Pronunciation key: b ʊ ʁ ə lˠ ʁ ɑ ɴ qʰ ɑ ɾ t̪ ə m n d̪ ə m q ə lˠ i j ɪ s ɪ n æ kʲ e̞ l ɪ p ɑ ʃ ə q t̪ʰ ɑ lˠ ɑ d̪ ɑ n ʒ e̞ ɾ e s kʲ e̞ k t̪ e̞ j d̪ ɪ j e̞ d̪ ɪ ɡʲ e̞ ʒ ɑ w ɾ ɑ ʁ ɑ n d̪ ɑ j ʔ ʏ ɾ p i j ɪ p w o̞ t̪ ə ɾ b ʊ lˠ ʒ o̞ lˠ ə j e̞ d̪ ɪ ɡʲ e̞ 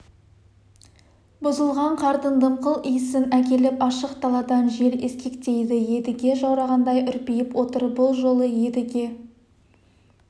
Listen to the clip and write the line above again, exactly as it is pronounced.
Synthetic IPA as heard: b ʊ z ə lˠ ʁ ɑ ɴ qʰ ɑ ɾ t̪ ə n d̪ ə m q ə lˠ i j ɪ s ɪ n æ kʲ e̞ l ɪ p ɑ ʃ ə q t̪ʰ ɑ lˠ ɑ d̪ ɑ n ʒ e̞ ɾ e s kʲ e̞ k t̪ e̞ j d̪ ɪ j e̞ d̪ ɪ ɡʲ e̞ ʒ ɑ w ɾ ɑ ʁ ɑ n d̪ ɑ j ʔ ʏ ɾ p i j ɪ p w o̞ t̪ ə ɾ b ʊ lˠ ʒ o̞ lˠ ə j e̞ d̪ ɪ ɡʲ e̞